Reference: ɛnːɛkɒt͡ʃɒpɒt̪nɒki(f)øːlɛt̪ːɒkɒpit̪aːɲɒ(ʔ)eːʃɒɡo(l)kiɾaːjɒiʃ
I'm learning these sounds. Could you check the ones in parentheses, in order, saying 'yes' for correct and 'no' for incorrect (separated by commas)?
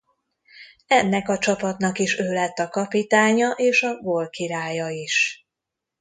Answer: no, yes, yes